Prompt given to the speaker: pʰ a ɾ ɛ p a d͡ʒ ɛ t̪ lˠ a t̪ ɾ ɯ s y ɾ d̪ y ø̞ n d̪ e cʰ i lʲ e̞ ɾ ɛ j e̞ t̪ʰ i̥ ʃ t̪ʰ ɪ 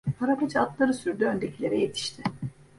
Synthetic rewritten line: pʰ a ɾ a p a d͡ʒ a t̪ lˠ a ɾ ɯ s y ɾ d̪ y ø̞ n d̪ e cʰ i lʲ e̞ ɾ ɛ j e̞ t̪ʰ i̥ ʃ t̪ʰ ɪ